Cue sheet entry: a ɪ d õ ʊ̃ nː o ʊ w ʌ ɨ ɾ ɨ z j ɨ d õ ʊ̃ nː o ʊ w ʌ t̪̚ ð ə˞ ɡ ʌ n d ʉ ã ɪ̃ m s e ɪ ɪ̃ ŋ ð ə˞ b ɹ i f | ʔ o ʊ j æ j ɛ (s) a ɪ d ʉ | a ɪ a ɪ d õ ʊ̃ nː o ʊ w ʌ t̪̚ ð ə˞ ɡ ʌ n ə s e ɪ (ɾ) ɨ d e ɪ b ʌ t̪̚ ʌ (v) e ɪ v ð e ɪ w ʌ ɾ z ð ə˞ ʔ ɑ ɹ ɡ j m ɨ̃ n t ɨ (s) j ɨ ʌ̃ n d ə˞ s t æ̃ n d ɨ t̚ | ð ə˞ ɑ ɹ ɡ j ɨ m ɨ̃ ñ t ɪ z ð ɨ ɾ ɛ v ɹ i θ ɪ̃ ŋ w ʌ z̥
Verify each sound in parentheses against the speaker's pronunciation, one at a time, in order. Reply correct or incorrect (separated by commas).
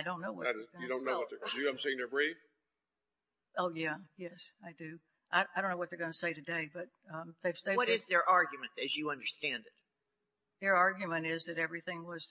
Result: correct, correct, incorrect, incorrect